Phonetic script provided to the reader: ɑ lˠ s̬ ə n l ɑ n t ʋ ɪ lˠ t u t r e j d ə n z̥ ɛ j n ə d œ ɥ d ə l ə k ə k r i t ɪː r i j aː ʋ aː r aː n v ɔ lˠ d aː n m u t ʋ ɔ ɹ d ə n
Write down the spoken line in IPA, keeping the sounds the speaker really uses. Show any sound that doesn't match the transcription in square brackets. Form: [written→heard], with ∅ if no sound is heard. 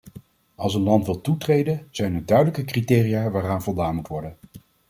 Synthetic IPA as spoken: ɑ lˠ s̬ ə n l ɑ n t ʋ ɪ lˠ t u t r e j d ə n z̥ ɛ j n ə d œ ɥ d ə l ə k ə k r i t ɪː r i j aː ʋ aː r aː n v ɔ lˠ d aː n m u t ʋ ɔ ɹ d ə n

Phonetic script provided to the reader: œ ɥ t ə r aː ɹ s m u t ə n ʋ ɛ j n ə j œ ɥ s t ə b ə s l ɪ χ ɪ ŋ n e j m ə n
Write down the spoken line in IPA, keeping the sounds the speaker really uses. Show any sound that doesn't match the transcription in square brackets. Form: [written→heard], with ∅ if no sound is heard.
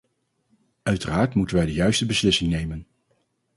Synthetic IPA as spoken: œ ɥ t ə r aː ɹ [s→t] m u t ə n ʋ ɛ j [n→d] ə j œ ɥ s t ə b ə s l ɪ [χ→s] ɪ ŋ n e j m ə n

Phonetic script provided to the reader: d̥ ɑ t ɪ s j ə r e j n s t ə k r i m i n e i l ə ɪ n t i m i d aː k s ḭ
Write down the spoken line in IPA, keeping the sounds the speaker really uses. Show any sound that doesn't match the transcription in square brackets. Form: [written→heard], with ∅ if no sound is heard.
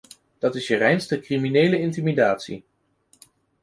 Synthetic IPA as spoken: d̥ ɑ t ɪ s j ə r [e→ɛ] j n s t ə k r i m i n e [i→j] l ə ɪ n t i m i d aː [k→t] s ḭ

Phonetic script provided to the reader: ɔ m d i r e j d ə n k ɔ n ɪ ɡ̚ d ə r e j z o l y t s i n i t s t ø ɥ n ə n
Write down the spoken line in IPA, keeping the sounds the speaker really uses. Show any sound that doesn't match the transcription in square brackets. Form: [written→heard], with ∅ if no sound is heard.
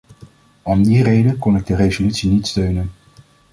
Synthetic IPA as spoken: ɔ m d i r e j d ə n k ɔ n ɪ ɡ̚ d ə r e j z o l y t s i n i t s t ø ɥ n ə n

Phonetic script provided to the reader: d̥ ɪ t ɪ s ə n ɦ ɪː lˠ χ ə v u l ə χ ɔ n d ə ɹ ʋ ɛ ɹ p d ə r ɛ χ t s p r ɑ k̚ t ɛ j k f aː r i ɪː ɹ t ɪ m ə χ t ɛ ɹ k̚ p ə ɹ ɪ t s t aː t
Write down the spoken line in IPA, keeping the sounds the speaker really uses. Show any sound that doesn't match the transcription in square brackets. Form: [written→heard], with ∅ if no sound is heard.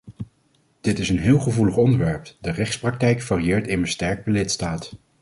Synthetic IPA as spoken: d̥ ɪ t ɪ s ə n ɦ ɪː lˠ χ ə v u l ə χ ɔ n d ə ɹ ʋ ɛ ɹ p d ə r ɛ χ t s p r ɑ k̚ t ɛ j k f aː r i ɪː ɹ t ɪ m ə [χ→s] t ɛ ɹ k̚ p ə [ɹ→l] ɪ t s t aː t

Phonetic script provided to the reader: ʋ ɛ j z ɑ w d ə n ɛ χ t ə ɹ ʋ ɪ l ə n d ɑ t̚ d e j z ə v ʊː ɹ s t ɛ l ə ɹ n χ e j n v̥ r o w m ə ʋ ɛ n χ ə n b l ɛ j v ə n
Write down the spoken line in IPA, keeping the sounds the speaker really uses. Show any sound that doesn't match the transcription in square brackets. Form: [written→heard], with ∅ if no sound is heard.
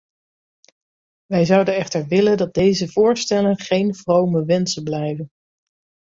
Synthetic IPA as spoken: ʋ ɛ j z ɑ w d ə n ɛ χ t ə ɹ ʋ ɪ l ə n d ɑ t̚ d e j z ə v ʊː ɹ s t ɛ l ə [ɹ→∅] n χ e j n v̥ r o w m ə ʋ ɛ n [χ→s] ə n b l ɛ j v ə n

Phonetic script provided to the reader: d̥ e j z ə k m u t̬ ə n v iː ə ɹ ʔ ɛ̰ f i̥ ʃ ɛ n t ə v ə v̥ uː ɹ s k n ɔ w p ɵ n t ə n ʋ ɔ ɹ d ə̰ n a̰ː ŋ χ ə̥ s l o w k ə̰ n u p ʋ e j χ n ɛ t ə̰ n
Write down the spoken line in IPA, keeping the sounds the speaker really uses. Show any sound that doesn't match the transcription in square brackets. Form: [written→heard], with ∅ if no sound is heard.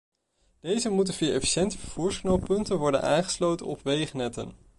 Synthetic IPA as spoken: d̥ e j z ə [k→∅] m u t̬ ə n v iː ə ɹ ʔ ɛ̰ f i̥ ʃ ɛ n t ə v ə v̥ uː ɹ s k n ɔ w p ɵ n t ə n ʋ ɔ ɹ d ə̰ n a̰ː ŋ χ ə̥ s l o w [k→t] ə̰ n [u→ɔ] p ʋ e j χ n ɛ t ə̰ n

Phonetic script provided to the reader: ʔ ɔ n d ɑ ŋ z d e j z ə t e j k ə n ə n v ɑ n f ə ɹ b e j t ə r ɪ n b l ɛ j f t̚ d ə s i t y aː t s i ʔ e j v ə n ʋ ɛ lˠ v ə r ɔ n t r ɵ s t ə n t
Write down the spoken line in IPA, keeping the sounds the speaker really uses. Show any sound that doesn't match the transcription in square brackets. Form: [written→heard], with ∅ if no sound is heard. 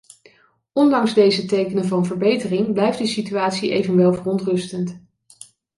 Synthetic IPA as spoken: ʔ ɔ n d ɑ ŋ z d e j z ə t e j k ə n ə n v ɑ n [f→v] ə ɹ b e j t ə r ɪ [n→ŋ] b l ɛ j f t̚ d ə s i t y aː t s i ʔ e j v ə n ʋ ɛ lˠ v ə r ɔ n t r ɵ s t ə n t

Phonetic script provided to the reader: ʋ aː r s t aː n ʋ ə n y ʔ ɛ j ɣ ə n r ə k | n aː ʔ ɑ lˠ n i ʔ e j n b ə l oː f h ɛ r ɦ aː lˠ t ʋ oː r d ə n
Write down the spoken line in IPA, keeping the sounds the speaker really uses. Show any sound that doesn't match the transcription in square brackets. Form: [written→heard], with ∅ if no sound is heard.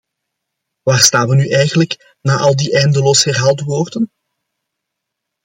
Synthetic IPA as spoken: ʋ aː r s t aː n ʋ ə n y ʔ ɛ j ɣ ə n [r→l] ə k | n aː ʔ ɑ lˠ [n→d] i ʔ [e→ɛ] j n [b→d] ə l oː [f→s] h ɛ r ɦ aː lˠ t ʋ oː r d ə n

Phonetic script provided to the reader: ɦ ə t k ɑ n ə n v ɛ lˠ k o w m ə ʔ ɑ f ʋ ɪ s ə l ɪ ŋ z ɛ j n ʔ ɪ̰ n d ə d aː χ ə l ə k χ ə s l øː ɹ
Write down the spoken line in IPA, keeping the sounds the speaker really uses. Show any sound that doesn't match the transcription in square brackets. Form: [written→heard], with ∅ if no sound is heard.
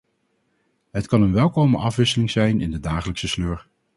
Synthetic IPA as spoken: ɦ ə t k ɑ n ə n [v→ʋ] ɛ lˠ k o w m ə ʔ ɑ f ʋ ɪ s ə l ɪ ŋ z ɛ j n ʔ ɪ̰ n d ə d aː χ ə l ə k [χ→s] ə s l øː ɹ

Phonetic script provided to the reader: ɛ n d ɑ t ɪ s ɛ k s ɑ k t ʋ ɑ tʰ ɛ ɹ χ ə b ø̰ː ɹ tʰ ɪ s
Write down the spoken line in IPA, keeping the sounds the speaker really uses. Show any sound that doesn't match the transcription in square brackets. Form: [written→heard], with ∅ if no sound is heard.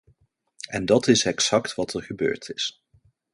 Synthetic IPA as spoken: ɛ n d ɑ t ɪ s ɛ k s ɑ k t ʋ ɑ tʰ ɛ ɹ χ ə b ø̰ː ɹ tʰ ɪ s

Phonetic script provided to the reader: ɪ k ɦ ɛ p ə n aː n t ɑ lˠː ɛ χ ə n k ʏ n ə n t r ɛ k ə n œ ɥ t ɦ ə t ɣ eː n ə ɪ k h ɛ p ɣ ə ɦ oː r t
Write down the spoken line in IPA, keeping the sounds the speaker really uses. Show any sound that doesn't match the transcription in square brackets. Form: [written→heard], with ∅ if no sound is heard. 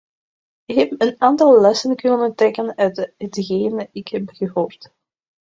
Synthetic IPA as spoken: ɪ k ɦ ɛ p ə n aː n t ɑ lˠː ɛ [χ→s] ə n k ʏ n ə n t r ɛ k ə n œ ɥ t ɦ ə t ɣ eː n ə ɪ k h ɛ p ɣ ə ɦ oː r t

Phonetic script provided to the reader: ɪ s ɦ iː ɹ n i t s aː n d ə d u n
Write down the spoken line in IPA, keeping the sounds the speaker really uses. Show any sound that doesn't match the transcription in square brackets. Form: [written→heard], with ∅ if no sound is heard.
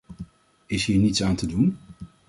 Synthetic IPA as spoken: ɪ s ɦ iː ɹ n i t s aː n [d→t] ə d u n

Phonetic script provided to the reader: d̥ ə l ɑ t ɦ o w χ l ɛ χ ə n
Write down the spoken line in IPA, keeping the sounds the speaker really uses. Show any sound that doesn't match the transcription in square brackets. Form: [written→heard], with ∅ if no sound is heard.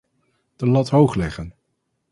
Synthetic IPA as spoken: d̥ ə l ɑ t ɦ o w χ l ɛ χ ə n

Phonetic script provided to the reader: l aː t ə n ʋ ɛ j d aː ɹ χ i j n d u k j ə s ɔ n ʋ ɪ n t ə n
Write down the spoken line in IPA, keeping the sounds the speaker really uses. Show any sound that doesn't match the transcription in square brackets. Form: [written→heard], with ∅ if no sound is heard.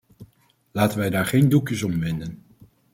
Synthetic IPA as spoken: l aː t ə n ʋ ɛ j d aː ɹ χ [i→e] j n d u k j ə s ɔ [n→m] ʋ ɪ n [t→d] ə n

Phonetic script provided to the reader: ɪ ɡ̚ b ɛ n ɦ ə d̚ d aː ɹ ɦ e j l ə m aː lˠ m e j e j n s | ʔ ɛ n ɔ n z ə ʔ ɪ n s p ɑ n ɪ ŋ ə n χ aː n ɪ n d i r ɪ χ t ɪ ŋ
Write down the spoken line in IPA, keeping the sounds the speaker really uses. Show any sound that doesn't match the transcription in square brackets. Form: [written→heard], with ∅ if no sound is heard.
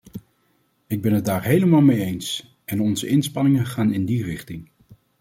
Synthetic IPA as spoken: ɪ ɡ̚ b ɛ n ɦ ə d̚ d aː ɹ ɦ e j l ə m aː lˠ m e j e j n s | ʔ ɛ n ɔ n z ə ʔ ɪ n s p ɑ n ɪ ŋ ə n χ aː n ɪ n d i r ɪ χ t ɪ ŋ

